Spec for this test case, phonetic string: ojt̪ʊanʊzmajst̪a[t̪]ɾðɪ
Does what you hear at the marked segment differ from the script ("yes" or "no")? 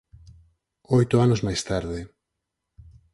yes